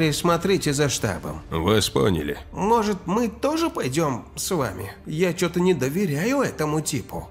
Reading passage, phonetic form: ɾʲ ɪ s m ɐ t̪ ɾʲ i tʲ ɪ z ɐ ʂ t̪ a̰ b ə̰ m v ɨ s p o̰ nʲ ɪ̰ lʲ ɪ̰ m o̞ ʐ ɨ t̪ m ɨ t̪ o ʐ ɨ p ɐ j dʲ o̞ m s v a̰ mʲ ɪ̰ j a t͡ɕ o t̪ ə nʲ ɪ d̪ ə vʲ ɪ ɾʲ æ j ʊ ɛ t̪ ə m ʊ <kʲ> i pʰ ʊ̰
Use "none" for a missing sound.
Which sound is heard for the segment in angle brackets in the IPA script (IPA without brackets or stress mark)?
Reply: tʲ